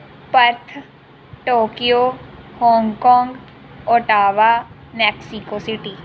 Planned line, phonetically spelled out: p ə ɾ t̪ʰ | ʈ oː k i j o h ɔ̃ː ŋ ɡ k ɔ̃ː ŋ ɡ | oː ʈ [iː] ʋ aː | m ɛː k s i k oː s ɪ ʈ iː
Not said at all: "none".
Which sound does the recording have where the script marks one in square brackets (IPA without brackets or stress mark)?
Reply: aː